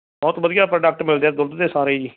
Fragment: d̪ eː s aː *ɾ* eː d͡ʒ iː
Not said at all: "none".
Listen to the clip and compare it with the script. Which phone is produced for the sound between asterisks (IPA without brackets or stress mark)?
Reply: ɾ